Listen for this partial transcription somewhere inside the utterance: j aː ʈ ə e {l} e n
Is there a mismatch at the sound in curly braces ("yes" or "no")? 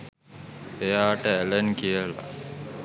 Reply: no